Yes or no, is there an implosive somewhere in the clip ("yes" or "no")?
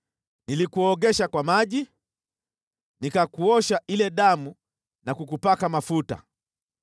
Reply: yes